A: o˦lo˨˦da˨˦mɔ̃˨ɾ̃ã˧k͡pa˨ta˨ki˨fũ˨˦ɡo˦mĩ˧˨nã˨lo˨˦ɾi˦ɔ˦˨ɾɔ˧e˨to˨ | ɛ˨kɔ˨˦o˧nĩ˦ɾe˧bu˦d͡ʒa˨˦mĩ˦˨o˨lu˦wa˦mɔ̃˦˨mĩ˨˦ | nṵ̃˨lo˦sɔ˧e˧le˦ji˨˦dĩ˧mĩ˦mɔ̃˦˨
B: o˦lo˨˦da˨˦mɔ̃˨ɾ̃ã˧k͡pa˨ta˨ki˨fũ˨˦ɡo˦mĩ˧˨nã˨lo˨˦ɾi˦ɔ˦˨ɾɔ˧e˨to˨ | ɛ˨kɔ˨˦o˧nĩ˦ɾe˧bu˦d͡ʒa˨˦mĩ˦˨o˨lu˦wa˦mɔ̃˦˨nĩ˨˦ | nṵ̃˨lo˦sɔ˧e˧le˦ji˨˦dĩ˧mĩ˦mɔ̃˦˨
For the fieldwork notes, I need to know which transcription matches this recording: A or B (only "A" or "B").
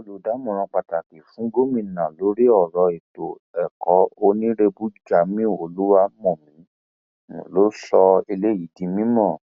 A